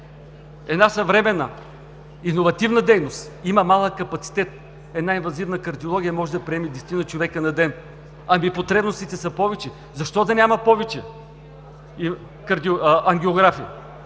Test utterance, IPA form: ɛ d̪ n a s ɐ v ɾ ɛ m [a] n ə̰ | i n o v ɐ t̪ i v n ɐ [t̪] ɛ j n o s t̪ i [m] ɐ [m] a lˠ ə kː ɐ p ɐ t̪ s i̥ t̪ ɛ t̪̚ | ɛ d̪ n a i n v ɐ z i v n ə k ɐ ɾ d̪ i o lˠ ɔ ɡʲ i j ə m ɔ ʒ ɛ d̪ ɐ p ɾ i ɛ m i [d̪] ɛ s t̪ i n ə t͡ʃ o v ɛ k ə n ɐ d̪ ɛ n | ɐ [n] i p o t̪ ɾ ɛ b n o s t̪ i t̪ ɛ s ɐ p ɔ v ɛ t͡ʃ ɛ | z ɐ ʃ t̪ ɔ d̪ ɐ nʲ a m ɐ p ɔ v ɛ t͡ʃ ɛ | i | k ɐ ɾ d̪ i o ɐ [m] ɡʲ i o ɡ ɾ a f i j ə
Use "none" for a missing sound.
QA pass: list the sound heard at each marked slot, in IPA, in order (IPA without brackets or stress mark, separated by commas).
ɛ, d̪, m, m, d̪, m, ŋ